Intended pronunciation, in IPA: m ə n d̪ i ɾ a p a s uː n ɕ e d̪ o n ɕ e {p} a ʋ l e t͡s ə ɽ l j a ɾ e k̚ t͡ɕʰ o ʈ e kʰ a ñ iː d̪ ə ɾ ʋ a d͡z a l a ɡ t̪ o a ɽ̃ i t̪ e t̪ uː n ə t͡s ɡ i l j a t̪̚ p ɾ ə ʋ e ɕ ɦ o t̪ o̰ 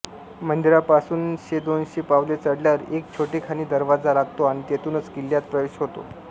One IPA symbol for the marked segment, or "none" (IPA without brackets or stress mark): p